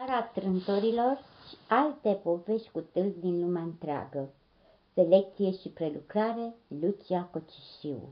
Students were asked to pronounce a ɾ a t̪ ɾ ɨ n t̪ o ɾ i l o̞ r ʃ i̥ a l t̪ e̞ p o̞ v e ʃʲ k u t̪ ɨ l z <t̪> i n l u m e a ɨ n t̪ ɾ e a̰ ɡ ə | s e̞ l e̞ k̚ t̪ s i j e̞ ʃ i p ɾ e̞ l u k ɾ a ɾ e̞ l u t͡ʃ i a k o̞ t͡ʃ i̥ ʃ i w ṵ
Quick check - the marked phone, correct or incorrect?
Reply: incorrect